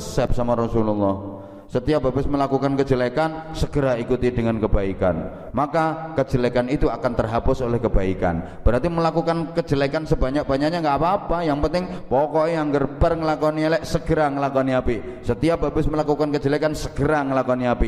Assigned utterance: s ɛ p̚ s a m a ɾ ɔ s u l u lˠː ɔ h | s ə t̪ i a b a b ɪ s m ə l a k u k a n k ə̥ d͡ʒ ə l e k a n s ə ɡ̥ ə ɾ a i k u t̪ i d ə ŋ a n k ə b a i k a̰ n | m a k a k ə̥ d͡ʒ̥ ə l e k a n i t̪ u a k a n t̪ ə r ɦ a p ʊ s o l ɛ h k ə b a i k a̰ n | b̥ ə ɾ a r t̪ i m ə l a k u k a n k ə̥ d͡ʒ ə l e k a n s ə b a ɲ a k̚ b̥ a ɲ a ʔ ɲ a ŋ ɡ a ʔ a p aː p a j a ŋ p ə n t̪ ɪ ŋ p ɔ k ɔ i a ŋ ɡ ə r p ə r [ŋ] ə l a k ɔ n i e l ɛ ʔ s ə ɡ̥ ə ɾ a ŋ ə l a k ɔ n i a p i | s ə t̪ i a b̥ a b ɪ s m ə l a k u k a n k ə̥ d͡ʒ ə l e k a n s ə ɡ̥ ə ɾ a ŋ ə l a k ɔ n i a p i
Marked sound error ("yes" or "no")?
no